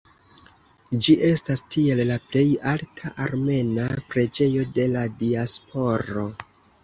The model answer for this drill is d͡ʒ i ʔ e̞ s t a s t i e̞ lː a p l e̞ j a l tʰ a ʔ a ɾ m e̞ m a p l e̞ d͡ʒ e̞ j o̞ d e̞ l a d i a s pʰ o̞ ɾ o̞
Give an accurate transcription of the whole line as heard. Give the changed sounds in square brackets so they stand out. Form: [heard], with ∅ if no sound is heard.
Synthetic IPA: d͡ʒ i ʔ e̞ s t a s t i e̞ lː a p l e̞ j a l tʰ a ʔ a ɾ m e̞ [n] a p [ɾ] e̞ d͡ʒ e̞ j o̞ d e̞ l a d i a s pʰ o̞ ɾ o̞

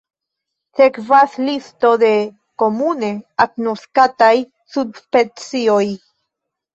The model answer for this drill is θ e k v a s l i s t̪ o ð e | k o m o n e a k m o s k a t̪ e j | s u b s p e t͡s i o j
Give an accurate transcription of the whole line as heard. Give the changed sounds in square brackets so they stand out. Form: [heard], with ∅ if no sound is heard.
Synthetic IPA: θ e k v a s l i s t̪ o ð e | k o m [u] n e a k [n] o s k a t̪ [a] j | s u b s p e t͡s i o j

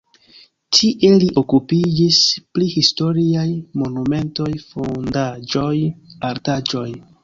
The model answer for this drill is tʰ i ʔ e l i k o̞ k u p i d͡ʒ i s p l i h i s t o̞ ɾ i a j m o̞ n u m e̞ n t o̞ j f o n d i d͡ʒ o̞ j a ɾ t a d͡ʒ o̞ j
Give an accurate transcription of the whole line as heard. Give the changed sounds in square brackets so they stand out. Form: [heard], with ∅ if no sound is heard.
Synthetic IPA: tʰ i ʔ e l i [ʔ] o̞ k u p i d͡ʒ i s p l i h i s t o̞ ɾ i a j m o̞ n u m e̞ n t o̞ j f o n d [a] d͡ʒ o̞ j a ɾ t a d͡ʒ o̞ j

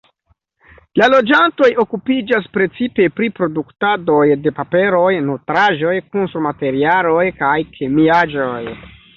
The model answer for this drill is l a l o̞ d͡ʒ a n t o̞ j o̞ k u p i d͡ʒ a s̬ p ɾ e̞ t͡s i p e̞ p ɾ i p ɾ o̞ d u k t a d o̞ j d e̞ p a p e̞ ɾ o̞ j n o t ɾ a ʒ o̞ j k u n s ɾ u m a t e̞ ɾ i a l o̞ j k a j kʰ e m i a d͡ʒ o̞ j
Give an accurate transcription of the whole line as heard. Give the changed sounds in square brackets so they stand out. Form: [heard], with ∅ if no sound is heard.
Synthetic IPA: l a l o̞ d͡ʒ a n t o̞ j o̞ k u p i d͡ʒ a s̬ p ɾ e̞ t͡s i p e̞ p ɾ i p ɾ o̞ d u k t a d o̞ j d e̞ p a p e̞ ɾ o̞ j n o t ɾ a ʒ o̞ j k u n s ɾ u m a t e̞ ɾ i a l o̞ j k a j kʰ e m i a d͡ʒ o̞ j

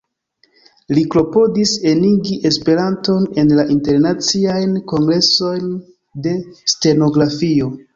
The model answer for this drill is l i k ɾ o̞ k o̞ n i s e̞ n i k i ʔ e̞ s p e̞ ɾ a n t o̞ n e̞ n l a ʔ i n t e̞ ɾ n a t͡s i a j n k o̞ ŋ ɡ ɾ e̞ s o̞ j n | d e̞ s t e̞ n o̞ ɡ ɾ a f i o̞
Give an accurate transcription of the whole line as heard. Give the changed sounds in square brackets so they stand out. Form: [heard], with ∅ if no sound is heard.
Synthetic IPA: l i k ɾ o̞ [p] o̞ [d] i s e̞ n i [ɡ] i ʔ e̞ s p e̞ ɾ a n t o̞ n e̞ n l a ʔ i n t e̞ ɾ n a t͡s i a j n k o̞ ŋ ɡ ɾ e̞ s o̞ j n | d e̞ s t e̞ n o̞ ɡ ɾ a f i o̞

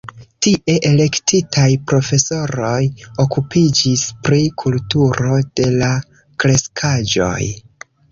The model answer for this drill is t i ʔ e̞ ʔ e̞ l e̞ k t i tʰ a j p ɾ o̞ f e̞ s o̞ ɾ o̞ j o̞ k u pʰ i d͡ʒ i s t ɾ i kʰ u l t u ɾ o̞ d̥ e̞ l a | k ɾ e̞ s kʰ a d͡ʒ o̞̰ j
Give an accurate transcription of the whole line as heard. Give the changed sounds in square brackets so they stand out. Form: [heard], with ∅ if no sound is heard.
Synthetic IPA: t i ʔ e̞ ʔ e̞ l e̞ k t i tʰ a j p ɾ o̞ f e̞ s o̞ ɾ o̞ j o̞ k u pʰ i d͡ʒ i s [p] ɾ i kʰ u l t u ɾ o̞ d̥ e̞ l a | k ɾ e̞ s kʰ a d͡ʒ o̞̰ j

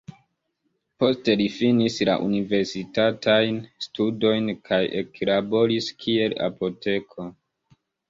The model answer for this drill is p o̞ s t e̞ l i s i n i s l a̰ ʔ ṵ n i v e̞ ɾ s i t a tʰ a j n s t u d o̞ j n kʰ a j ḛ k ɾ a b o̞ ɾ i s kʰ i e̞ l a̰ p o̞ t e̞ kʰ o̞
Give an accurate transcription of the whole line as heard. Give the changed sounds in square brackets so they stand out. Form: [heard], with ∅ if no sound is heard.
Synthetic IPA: p o̞ s t e̞ l i [f] i n i s l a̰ ʔ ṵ n i v e̞ ɾ s i t a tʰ a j n s t u d o̞ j n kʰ a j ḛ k [l] a b o̞ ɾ i s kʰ i e̞ l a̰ p o̞ t e̞ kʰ o̞

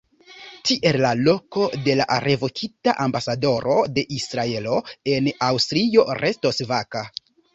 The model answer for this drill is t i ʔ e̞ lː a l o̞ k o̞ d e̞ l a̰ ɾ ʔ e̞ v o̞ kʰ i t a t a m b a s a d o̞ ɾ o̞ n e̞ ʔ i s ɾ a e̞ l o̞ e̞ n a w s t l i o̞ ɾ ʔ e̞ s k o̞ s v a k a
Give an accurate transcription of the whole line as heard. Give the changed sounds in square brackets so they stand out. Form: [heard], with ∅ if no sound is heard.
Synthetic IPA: t i ʔ e̞ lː a l o̞ k o̞ d e̞ l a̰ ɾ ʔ e̞ v o̞ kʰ i t a [ʔ] a m b a s a d o̞ ɾ o̞ [d] e̞ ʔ i s ɾ a e̞ l o̞ e̞ n a w s t [ɾ] i o̞ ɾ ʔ e̞ s [t] o̞ s v a k a

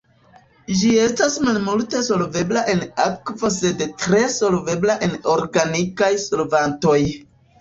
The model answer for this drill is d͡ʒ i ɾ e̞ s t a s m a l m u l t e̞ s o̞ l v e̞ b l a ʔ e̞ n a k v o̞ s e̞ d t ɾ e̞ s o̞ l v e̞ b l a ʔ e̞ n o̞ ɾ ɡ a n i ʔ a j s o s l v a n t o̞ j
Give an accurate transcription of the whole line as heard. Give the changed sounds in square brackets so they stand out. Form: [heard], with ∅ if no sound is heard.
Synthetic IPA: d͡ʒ i [∅] e̞ s t a s m a l m u l t e̞ s o̞ l v e̞ b l a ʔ e̞ n a k v o̞ s e̞ d t ɾ e̞ s o̞ l v e̞ b l a ʔ e̞ n o̞ ɾ ɡ a n i [k] a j s o [∅] l v a n t o̞ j

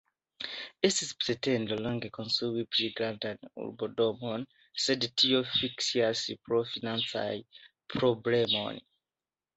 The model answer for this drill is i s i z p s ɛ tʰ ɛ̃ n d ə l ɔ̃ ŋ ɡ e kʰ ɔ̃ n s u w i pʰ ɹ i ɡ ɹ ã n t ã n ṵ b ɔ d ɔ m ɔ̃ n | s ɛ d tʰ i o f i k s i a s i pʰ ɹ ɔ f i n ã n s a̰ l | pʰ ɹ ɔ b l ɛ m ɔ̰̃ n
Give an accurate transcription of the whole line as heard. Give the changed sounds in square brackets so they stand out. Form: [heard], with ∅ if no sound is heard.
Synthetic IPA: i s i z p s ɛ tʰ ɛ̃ n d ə l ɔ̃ ŋ ɡ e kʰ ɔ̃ n s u w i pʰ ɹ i ɡ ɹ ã n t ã n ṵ b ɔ d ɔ m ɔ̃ n | s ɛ d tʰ i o f i k s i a s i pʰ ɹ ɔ f i n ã n s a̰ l | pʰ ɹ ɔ b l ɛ m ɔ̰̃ n

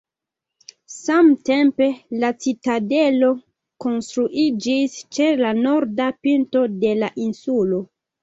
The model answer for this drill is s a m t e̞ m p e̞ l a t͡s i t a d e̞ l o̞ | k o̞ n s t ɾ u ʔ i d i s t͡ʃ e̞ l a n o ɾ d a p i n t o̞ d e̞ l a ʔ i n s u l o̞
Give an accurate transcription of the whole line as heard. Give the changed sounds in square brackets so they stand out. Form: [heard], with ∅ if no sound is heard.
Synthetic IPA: s a m t e̞ m p e̞ l a t͡s i t a d e̞ l o̞ | k o̞ n s t ɾ u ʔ i [d͡ʒ] i s t͡ʃ e̞ l a n o ɾ d a p i n t o̞ d e̞ l a ʔ i n s u l o̞

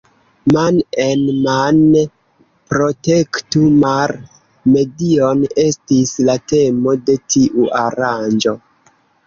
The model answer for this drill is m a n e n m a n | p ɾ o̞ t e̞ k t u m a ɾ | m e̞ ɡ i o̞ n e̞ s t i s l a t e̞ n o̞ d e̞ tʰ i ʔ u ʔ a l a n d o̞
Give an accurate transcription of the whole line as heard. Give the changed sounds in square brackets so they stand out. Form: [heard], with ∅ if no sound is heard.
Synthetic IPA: m a n e n m a n | p ɾ o̞ t e̞ k t u m a ɾ | m e̞ [d] i o̞ n e̞ s t i s l a t e̞ [m] o̞ d e̞ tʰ i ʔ u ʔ a [ɾ] a n [d͡ʒ] o̞

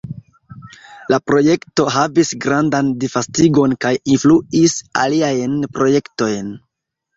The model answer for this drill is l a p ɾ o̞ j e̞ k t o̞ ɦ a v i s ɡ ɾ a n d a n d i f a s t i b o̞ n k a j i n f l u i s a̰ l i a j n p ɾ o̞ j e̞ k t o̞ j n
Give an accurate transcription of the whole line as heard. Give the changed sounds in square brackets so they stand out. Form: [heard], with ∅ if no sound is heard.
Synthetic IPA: l a p ɾ o̞ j e̞ k t o̞ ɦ a v i s ɡ ɾ a n d a n d i f a s t i [ɡ] o̞ n k a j i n f l u i s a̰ l i a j n p ɾ o̞ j e̞ k t o̞ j n

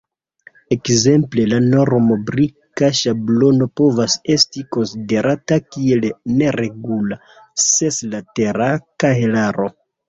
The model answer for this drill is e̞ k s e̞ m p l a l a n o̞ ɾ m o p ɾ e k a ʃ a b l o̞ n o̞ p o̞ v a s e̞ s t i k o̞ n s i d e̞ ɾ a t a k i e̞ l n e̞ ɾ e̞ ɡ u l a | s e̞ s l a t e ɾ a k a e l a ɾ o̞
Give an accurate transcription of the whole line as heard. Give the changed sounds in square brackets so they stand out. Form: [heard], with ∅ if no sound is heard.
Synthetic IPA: e̞ k [z] e̞ m p l [e] l a n o̞ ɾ m o [b] ɾ [i] k a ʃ a b l o̞ n o̞ p o̞ v a s e̞ s t i k o̞ n s i d e̞ ɾ a t a k i e̞ l n e̞ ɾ e̞ ɡ u l a | s e̞ s l a t e ɾ a k a e l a ɾ o̞

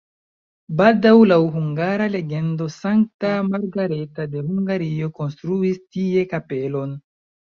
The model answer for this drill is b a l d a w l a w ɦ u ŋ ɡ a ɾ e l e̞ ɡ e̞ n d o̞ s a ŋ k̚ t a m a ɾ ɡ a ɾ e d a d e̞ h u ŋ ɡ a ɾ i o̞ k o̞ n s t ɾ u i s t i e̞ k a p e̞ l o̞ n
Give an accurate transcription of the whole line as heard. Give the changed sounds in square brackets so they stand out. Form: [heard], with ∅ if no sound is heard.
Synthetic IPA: b a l d a w l a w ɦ u ŋ ɡ a ɾ [a] l e̞ ɡ e̞ n d o̞ s a ŋ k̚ t a m a ɾ ɡ a ɾ e [t] a d e̞ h u ŋ ɡ a ɾ i o̞ k o̞ n s t ɾ u i s t i e̞ k a p e̞ l o̞ n

